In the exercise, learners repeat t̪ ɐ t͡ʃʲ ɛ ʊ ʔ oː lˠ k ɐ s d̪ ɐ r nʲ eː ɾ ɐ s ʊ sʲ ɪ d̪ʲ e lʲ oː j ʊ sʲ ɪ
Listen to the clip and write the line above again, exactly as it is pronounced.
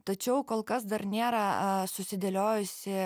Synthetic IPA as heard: t̪ ɐ t͡ʃʲ ɛ ʊ k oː lˠ k ɐ s d̪ ɐ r nʲ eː ɾ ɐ s ʊ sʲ ɪ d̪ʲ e lʲ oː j ʊ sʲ ɪ